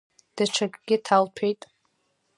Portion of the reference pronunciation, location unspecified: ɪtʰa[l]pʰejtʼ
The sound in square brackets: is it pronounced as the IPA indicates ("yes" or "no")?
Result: yes